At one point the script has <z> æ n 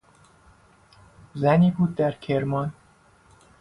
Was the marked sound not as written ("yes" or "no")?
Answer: no